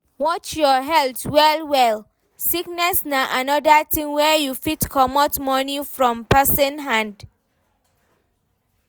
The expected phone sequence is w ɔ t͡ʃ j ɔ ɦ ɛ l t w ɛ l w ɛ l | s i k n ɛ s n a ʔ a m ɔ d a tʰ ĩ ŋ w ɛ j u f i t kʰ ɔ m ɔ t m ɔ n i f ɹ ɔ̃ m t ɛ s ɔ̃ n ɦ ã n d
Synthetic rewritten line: w ɔ t͡ʃ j ɔ ɦ ɛ l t w ɛ l w ɛ l | s i k n ɛ s n a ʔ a n ɔ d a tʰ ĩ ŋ w ɛ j u f i t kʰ ɔ m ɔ t m ɔ n i f ɹ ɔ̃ m p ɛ s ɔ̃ n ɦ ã n d